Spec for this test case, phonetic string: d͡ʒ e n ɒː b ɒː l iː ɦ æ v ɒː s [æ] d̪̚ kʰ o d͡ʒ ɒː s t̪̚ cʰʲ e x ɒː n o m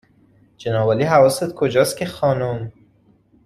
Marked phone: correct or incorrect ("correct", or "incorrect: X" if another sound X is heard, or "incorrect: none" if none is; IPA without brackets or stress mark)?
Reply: incorrect: e